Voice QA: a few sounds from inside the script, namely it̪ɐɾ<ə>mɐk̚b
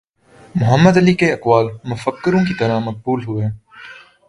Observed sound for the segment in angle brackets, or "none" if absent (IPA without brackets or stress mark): a